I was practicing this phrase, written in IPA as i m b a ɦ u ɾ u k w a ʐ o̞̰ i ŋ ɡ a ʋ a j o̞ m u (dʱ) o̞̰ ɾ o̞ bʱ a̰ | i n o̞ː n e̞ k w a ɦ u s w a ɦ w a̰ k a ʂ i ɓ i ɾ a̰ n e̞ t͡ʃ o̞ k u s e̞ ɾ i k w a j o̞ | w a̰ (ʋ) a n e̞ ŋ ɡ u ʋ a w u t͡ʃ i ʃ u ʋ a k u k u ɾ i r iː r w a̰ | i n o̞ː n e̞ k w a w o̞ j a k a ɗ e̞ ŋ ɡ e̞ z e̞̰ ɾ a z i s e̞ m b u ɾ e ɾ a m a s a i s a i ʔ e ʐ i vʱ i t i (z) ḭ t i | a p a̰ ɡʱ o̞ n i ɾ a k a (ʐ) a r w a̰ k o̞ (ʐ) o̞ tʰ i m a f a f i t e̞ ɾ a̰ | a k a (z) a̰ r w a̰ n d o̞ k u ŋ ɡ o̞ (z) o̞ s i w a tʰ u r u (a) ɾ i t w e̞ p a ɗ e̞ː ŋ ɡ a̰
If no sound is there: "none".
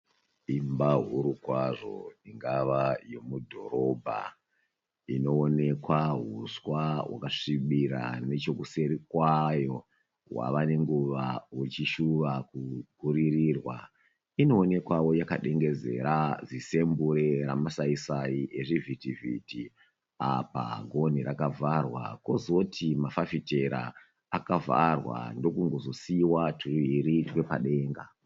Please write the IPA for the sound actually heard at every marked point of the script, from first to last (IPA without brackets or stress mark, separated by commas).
dʱ, ʋ, v, v, z, v, z, i